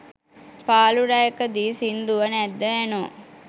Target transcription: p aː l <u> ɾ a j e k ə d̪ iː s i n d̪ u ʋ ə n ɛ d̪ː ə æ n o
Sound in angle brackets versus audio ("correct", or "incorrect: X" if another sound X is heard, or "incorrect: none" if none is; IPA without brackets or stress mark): correct